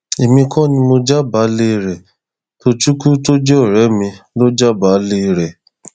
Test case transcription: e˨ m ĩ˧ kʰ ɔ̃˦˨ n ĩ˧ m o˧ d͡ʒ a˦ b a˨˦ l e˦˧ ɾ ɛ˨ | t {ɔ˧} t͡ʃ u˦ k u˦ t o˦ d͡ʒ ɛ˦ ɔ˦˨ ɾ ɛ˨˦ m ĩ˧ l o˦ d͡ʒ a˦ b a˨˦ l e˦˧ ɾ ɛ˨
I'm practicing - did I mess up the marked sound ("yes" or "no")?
yes